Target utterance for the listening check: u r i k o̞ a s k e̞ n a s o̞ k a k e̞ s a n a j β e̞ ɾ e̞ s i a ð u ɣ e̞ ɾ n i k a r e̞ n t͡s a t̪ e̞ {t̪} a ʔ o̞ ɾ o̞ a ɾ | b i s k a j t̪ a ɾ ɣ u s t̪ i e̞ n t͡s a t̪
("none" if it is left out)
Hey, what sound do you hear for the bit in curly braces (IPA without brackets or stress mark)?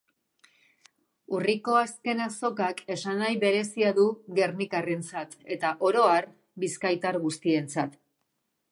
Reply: t̪